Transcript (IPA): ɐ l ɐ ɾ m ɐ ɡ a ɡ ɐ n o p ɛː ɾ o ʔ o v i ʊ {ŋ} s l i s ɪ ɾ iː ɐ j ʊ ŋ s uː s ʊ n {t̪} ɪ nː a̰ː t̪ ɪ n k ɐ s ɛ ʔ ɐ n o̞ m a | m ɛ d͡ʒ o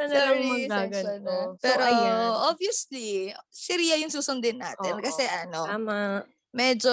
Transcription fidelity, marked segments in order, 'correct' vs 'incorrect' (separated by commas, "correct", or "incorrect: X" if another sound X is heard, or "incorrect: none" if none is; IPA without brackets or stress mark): incorrect: none, incorrect: d̪